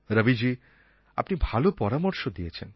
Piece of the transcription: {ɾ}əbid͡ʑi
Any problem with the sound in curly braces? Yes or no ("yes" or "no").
no